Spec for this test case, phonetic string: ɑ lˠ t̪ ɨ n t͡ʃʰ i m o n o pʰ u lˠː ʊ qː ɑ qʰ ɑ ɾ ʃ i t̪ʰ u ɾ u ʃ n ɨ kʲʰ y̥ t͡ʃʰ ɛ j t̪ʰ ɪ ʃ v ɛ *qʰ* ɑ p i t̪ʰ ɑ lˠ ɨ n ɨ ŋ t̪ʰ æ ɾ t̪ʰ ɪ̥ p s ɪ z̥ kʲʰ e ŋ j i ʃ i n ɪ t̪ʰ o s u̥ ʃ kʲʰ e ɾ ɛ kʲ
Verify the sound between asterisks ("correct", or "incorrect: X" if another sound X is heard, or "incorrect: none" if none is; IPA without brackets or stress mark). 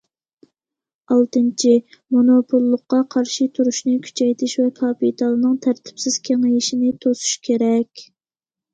incorrect: kʰ